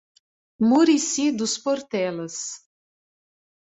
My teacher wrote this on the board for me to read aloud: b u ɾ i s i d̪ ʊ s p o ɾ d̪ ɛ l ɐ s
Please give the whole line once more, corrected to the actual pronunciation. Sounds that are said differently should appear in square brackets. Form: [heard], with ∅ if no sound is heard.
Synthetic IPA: [m] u ɾ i s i d̪ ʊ s p o ɾ [t̪] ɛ l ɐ s